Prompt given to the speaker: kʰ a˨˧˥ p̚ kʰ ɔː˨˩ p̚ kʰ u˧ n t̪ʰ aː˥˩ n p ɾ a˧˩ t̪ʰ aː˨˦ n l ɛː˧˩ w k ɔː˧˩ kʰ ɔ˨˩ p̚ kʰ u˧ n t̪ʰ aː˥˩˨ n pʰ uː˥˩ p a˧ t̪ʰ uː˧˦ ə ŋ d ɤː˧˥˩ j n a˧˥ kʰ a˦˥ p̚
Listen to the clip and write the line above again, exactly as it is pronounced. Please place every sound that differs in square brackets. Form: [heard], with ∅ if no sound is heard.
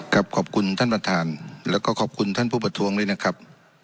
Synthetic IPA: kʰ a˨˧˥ p̚ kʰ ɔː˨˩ p̚ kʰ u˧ n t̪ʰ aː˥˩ n p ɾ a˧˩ t̪ʰ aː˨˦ n l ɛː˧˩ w k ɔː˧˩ kʰ [ɔː˨˩] p̚ kʰ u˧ n t̪ʰ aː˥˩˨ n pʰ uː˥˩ p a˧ t̪ʰ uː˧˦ ə ŋ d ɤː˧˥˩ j n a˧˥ kʰ a˦˥ p̚